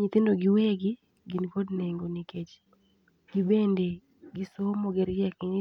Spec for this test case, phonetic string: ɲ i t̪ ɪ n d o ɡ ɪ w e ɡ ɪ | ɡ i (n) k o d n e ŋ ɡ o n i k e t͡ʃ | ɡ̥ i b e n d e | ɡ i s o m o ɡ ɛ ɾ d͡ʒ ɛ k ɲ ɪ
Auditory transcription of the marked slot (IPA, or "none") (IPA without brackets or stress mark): n